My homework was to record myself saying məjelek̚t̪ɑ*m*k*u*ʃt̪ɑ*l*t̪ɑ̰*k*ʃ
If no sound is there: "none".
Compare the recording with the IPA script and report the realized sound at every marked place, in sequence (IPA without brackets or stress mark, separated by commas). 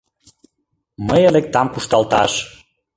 m, u, l, none